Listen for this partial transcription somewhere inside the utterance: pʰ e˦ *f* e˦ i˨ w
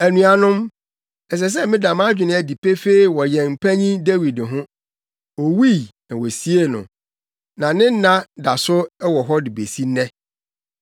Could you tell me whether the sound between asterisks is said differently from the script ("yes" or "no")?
no